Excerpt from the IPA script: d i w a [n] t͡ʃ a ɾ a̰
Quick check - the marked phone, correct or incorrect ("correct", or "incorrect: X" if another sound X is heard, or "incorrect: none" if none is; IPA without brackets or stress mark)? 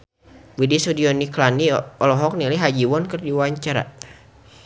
incorrect: ɲ